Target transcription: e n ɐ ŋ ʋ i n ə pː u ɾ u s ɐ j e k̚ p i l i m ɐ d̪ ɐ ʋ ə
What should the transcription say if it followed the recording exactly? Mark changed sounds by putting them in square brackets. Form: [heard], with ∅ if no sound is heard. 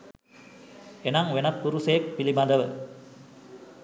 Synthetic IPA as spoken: e n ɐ ŋ ʋ [e] n [ɐ] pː u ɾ u s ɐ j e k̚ p i l i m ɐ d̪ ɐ ʋ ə